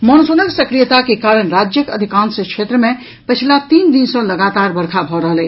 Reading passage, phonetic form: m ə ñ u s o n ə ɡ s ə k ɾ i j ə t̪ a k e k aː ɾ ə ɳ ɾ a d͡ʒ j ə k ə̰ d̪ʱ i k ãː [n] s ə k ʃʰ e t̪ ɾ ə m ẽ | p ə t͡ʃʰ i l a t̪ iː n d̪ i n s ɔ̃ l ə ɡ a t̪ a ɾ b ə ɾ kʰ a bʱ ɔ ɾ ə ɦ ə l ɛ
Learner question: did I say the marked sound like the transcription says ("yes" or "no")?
yes